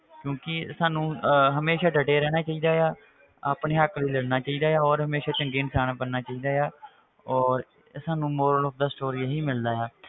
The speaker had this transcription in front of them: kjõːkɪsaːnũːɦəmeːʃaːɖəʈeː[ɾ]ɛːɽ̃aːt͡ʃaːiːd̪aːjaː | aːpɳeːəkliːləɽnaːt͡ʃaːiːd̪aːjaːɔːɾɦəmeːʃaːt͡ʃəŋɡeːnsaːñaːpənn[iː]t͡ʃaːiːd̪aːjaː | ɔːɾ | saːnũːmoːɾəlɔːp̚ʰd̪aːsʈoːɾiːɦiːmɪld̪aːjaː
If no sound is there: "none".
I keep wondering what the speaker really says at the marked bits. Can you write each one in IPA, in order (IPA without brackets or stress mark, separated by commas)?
ɾ, aː